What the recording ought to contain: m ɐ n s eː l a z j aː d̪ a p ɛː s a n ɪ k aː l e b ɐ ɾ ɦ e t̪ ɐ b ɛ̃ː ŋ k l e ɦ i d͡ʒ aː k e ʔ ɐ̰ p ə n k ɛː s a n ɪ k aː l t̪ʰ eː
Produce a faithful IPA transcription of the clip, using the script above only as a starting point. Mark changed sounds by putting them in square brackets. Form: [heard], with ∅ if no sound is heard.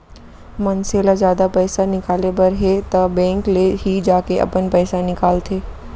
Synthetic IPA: m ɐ n s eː l a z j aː d̪ a p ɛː s a n ɪ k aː l e b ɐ ɾ ɦ e t̪ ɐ b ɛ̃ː ŋ k l e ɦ i d͡ʒ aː k e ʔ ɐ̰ p ə n [p] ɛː s a n ɪ k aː l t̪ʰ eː